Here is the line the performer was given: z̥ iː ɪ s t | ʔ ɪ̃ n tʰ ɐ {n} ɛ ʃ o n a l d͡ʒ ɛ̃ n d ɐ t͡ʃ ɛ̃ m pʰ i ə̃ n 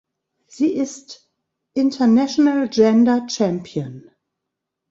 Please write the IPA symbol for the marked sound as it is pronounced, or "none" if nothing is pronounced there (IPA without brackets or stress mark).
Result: n